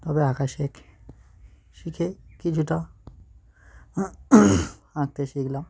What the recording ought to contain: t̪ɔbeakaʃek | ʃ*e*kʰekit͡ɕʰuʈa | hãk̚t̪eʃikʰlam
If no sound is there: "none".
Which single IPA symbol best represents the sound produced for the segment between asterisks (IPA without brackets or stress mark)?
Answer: i